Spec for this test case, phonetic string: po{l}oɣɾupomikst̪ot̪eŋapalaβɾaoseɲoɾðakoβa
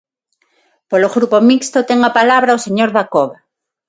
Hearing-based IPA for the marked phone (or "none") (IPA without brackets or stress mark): l